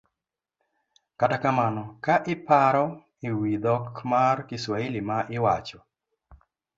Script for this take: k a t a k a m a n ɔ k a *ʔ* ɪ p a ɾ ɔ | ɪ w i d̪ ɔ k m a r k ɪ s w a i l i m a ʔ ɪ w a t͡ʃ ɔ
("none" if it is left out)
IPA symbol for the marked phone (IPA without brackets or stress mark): ʔ